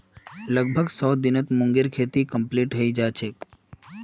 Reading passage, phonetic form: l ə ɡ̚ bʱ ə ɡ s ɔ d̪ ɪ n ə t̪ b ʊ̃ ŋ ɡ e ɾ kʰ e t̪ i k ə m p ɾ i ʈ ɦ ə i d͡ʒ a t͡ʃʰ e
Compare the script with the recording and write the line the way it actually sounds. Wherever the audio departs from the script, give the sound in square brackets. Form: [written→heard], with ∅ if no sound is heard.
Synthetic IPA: l ə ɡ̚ bʱ ə ɡ s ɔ d̪ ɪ n ə t̪ [b→m] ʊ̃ ŋ ɡ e ɾ kʰ e t̪ i k ə m p [ɾ→l] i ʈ ɦ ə i d͡ʒ a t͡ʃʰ e